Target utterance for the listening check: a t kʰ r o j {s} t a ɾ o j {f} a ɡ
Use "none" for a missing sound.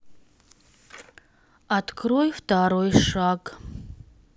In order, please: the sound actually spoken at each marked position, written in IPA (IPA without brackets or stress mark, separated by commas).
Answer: f, ʂ